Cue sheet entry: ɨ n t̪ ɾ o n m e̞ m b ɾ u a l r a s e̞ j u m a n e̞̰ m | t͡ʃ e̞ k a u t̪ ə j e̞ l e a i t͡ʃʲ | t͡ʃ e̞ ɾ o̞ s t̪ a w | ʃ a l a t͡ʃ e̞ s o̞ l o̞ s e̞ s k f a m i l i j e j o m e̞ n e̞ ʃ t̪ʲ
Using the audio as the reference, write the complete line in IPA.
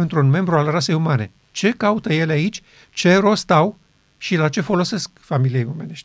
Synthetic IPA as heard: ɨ n t̪ ɾ u n m e̞ m b ɾ u a l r a s e̞ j u m a n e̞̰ | t͡ʃ e̞ k a u t̪ ə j e̞ l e a i t͡ʃʲ | t͡ʃ e̞ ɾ o̞ s t̪ a w | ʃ i l a t͡ʃ e̞ f o̞ l o̞ s e̞ s k f a m i l i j e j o m e̞ n e̞ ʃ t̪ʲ